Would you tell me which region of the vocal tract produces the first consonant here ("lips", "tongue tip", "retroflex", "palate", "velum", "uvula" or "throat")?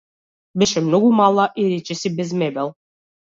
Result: lips